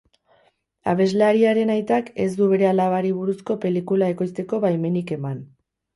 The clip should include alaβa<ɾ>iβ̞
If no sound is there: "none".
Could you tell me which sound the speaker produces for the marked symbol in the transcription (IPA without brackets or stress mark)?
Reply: ɾ